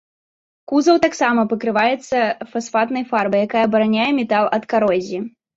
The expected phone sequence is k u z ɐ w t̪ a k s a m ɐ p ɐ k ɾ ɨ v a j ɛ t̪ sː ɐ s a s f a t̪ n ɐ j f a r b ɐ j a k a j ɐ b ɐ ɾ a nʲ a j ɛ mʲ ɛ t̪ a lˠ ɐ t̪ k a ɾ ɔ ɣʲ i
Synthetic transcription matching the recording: k u z ɐ w t̪ a k s a m ɐ p ɐ k ɾ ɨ v a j ɛ t̪ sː ɐ f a s f a t̪ n ɐ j f a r b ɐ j a k a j ɐ b ɐ ɾ a nʲ a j ɛ mʲ ɛ t̪ a lˠ ɐ t̪ k a ɾ ɔ zʲ i